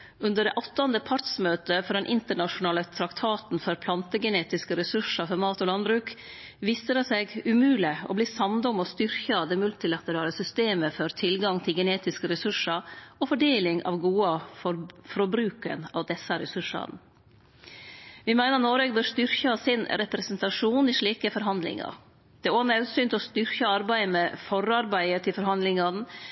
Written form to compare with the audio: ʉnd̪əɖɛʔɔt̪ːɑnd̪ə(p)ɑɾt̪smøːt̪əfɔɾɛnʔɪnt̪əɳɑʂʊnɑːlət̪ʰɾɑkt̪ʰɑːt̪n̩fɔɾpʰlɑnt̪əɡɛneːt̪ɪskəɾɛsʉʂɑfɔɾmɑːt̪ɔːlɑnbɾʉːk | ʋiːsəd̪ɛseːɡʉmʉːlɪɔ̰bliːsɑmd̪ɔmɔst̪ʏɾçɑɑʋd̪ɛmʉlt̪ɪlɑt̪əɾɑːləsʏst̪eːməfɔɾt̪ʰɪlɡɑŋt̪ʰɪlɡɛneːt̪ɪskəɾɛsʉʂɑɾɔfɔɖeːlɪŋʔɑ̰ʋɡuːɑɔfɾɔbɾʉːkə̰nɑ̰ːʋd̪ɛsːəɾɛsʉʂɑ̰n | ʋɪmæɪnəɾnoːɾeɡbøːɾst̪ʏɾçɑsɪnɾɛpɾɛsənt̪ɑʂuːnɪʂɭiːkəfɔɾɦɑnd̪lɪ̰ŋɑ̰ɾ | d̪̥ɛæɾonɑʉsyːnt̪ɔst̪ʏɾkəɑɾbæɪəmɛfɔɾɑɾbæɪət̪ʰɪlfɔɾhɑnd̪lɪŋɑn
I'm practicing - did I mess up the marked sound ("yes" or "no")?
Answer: yes